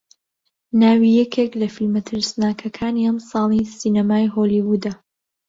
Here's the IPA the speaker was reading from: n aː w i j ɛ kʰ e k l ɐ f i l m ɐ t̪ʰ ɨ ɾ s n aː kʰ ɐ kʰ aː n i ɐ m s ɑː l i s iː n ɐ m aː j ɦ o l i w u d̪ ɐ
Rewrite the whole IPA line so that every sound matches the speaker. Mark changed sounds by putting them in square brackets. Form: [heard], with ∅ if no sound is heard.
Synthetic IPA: n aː w i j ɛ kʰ e k l ɐ f i l m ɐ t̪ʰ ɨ ɾ s n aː kʰ ɐ kʰ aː n i ɐ m s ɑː l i s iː n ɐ m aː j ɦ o l i w u d̪ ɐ